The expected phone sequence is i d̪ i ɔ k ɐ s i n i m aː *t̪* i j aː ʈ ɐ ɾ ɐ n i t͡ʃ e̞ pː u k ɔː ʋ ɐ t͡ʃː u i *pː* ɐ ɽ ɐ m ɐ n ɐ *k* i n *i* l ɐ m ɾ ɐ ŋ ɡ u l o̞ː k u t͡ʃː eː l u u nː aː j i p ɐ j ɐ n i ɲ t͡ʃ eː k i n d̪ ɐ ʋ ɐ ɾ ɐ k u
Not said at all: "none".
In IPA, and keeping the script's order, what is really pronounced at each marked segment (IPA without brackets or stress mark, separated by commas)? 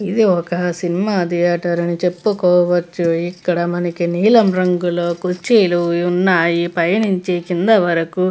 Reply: d̪, kː, k, iː